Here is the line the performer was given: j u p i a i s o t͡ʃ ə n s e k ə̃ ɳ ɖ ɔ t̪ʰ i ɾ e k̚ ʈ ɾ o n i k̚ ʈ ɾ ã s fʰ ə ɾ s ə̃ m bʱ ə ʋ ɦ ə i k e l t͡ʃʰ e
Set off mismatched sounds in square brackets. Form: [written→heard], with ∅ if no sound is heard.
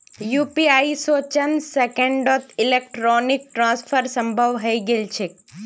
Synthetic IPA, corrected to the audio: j u p i a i s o t͡ʃ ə n s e k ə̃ ɳ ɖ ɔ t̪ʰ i [ɾ→l] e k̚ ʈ ɾ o n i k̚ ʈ ɾ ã s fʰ ə ɾ s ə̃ m bʱ ə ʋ ɦ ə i [k→ɡ] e l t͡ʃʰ e